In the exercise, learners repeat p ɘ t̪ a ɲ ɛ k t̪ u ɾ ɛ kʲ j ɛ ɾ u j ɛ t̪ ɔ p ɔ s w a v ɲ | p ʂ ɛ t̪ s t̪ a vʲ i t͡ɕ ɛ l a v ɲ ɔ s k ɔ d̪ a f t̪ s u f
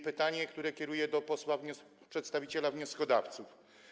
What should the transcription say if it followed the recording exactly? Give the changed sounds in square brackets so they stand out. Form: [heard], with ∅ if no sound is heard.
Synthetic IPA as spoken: p ɘ t̪ a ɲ ɛ k t̪ u ɾ ɛ kʲ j ɛ ɾ u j ɛ [d̪] ɔ p ɔ s w a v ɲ | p ʂ ɛ t̪ s t̪ a vʲ i t͡ɕ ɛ l a v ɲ ɔ s k ɔ d̪ a f t̪ s u f